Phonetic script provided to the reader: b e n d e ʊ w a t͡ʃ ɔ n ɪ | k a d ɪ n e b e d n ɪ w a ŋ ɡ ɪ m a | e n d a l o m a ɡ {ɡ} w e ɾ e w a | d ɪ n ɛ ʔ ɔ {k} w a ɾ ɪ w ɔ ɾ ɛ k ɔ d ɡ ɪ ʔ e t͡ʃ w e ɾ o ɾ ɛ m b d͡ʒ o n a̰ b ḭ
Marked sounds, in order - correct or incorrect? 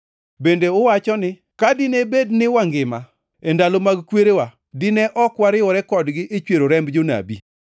incorrect: k, correct

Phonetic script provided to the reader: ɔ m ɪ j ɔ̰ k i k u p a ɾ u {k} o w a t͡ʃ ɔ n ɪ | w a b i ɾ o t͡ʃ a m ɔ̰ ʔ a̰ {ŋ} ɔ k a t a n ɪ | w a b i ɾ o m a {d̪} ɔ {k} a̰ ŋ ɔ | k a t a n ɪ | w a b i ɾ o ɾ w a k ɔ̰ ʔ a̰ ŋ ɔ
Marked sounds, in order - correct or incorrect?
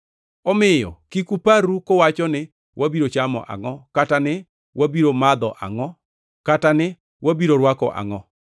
correct, correct, correct, incorrect: ʔ

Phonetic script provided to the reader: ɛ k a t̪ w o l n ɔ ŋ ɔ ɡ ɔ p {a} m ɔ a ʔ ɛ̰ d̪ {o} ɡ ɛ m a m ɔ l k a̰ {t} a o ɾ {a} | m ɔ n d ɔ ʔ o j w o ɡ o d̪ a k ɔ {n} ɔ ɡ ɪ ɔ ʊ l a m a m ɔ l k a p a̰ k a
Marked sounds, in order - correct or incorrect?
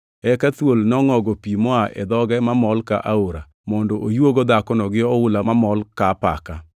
incorrect: i, incorrect: ɔ, incorrect: ʔ, correct, correct

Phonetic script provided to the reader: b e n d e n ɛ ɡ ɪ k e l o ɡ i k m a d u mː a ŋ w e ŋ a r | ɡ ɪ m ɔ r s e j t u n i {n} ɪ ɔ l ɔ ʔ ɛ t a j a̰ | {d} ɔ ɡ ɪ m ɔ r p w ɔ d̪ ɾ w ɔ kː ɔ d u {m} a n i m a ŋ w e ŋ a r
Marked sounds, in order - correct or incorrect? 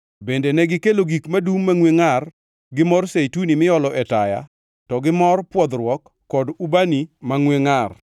incorrect: m, incorrect: t, incorrect: b

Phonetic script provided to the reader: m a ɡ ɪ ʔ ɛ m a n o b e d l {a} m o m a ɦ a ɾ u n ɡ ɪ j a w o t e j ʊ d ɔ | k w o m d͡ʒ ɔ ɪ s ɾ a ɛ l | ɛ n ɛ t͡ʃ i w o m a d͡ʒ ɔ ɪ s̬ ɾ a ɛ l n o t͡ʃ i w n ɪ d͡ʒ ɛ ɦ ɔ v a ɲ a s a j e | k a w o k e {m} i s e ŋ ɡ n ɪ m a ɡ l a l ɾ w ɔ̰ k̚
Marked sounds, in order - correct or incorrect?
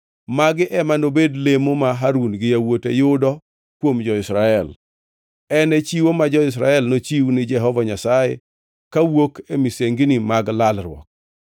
incorrect: e, correct

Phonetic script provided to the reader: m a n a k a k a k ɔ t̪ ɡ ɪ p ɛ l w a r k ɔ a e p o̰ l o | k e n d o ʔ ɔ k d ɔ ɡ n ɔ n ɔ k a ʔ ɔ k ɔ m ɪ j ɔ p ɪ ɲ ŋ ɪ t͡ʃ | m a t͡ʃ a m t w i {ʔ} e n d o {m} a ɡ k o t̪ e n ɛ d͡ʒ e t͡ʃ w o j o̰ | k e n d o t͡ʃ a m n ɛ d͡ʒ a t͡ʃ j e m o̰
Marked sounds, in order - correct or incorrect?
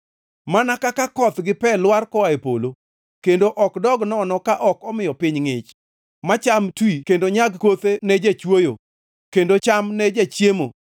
incorrect: k, incorrect: ɲ

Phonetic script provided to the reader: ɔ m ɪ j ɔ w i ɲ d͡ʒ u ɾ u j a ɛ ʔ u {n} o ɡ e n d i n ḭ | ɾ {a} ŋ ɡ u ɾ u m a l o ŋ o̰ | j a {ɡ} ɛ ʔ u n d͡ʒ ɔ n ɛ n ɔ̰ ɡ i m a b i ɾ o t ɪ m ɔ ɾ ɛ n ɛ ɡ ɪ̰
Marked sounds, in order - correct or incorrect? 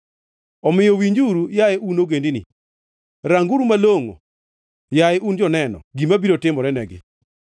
correct, correct, incorrect: none

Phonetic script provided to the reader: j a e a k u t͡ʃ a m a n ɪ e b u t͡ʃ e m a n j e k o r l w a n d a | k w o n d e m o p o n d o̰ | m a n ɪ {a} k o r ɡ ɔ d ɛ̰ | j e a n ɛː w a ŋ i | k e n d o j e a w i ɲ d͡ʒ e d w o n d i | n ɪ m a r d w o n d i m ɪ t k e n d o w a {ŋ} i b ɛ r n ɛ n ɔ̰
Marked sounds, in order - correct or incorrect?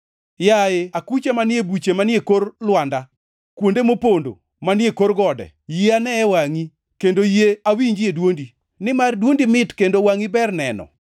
incorrect: e, correct

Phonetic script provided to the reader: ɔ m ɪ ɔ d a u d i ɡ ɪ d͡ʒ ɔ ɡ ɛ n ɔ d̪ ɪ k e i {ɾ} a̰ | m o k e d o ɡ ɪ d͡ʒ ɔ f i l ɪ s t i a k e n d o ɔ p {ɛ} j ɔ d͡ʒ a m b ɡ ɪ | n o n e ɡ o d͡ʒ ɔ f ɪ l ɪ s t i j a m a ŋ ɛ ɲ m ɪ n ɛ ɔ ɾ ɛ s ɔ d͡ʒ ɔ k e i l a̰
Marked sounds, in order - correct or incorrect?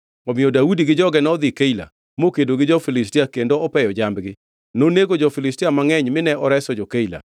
incorrect: l, correct

